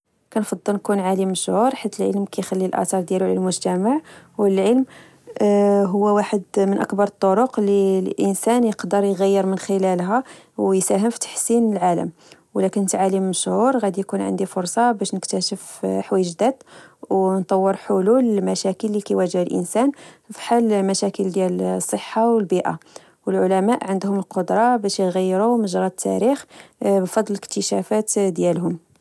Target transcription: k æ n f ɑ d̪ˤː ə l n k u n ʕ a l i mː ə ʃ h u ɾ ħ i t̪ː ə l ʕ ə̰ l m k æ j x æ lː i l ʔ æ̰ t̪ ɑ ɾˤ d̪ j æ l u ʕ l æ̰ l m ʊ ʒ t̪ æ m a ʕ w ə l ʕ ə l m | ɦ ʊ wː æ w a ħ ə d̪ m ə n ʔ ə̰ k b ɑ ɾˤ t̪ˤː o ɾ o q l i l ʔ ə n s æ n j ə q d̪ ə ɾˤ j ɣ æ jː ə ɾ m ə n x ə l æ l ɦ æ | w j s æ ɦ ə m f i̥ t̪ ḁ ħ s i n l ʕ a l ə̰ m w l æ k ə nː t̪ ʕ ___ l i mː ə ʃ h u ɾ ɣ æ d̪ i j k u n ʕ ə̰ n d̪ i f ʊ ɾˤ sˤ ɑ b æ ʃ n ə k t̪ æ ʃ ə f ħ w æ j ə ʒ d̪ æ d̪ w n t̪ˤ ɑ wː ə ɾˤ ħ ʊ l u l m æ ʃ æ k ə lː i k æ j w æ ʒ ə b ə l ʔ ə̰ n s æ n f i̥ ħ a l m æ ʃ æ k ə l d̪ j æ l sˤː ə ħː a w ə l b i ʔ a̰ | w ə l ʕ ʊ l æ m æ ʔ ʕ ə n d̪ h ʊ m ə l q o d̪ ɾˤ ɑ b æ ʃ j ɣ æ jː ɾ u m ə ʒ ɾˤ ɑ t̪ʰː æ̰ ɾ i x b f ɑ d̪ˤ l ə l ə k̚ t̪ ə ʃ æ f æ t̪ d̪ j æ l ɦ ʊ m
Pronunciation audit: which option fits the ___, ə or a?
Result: a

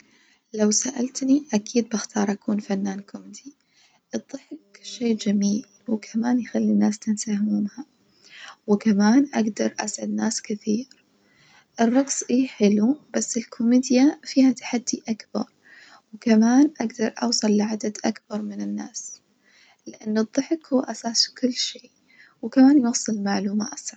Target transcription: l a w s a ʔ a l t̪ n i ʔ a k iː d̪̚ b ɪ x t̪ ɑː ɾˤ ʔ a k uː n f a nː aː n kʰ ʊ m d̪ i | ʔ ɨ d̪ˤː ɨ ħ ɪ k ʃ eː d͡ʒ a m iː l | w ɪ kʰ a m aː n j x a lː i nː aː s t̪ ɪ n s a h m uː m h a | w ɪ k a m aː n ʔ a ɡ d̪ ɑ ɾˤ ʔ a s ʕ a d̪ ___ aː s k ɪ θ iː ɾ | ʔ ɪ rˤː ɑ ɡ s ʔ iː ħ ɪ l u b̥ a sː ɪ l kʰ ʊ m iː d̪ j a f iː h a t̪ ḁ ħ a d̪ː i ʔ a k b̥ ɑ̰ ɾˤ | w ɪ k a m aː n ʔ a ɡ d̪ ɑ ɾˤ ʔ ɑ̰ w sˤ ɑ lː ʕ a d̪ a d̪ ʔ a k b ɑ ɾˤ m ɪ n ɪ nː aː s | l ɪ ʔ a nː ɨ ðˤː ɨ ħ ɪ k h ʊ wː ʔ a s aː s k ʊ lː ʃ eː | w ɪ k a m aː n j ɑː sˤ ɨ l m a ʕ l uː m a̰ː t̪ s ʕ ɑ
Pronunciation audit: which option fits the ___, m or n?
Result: n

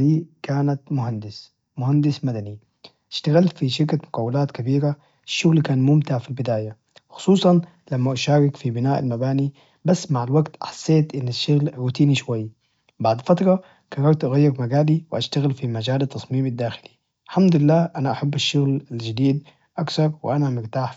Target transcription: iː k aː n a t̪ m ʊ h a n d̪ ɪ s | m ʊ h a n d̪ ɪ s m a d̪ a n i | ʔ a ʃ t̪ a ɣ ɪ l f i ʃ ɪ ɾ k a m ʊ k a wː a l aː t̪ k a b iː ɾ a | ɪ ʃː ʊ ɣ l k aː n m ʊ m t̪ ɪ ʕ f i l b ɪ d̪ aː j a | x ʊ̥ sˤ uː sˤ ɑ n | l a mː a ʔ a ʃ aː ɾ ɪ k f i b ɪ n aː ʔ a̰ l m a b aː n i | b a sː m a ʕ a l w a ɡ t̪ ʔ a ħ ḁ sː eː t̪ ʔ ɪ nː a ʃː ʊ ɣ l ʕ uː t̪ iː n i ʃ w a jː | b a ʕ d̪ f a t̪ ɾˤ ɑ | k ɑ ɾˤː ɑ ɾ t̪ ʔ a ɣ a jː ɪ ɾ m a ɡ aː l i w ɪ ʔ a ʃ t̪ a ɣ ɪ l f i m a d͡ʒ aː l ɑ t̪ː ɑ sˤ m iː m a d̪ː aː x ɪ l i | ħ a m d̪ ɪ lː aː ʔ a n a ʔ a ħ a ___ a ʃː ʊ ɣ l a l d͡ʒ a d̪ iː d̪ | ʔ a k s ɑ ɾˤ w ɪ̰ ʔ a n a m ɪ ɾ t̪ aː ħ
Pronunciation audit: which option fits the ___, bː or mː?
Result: bː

